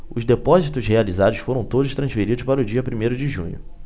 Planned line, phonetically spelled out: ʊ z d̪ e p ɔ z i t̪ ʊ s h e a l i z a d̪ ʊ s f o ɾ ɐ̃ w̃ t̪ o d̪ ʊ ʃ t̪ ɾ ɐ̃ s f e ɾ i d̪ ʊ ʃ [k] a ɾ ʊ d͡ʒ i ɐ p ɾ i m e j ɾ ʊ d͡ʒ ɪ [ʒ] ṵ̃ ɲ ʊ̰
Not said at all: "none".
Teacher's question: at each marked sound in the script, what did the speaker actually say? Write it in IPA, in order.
p, ʒ

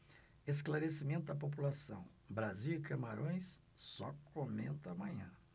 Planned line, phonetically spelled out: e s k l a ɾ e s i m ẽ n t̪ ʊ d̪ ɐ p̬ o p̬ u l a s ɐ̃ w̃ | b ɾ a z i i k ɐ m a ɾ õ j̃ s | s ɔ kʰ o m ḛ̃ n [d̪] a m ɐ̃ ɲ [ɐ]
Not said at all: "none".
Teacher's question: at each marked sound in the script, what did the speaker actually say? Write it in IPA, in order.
t̪, ɐ̃

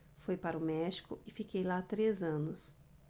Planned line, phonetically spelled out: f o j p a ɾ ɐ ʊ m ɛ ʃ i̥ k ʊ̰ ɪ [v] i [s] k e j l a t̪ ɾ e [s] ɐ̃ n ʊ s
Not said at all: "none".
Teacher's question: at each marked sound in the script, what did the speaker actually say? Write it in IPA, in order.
f, none, z

